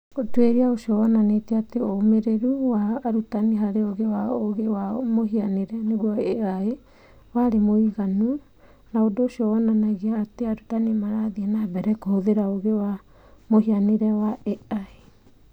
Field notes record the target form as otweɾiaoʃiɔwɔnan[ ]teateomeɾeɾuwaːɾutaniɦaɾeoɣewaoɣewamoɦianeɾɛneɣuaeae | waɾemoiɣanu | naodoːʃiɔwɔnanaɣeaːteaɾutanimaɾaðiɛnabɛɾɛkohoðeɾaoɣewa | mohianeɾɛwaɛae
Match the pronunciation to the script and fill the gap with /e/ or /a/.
e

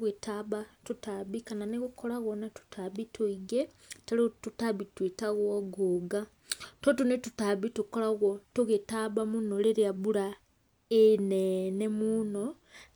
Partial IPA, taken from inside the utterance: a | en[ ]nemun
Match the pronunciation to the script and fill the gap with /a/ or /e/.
e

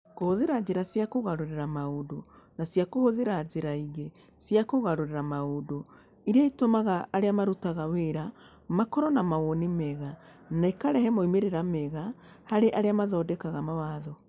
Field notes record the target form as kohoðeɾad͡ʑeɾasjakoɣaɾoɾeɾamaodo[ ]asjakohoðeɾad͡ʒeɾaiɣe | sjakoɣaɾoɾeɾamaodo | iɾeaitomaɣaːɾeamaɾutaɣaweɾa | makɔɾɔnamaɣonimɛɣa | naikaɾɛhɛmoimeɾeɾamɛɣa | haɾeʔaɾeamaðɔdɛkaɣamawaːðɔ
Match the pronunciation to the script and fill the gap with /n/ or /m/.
n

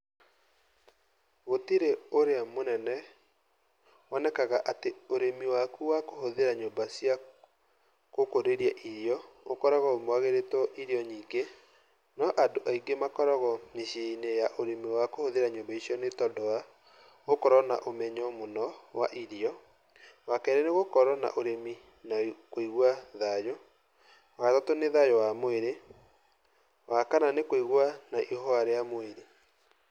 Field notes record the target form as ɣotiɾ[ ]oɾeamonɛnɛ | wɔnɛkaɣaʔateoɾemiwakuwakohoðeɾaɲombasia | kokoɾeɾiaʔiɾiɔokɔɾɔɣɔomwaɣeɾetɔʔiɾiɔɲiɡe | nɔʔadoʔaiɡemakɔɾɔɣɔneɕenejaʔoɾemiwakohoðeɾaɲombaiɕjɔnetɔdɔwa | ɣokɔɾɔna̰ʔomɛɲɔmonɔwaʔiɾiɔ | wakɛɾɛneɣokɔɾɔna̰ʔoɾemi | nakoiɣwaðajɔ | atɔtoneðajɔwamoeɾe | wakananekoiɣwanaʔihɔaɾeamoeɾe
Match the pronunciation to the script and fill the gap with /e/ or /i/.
e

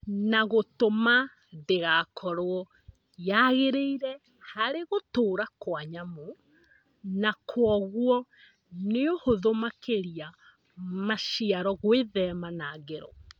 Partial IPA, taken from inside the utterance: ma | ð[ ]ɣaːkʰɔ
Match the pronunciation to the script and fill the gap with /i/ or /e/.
e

